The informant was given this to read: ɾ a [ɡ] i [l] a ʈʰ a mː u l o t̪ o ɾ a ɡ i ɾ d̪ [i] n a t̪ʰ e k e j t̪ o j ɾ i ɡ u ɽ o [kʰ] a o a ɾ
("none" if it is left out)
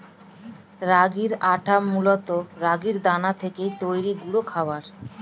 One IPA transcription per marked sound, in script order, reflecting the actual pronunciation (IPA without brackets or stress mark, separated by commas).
ɡ, ɾ, a, kʰ